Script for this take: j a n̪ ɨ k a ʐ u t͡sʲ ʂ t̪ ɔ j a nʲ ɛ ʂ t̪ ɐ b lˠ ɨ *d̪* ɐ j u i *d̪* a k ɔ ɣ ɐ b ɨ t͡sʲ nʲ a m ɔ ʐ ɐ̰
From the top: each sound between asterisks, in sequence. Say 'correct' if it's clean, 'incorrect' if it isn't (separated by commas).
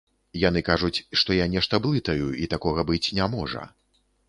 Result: incorrect, incorrect